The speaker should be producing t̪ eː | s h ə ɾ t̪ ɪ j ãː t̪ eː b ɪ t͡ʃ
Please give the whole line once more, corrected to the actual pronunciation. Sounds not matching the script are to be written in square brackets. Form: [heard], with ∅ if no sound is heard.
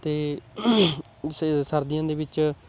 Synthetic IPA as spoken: t̪ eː | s [s] ə ɾ [d̪] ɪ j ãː [d̪] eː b ɪ t͡ʃ